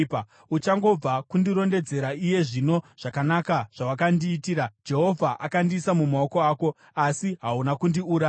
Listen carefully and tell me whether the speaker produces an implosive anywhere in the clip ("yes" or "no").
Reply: no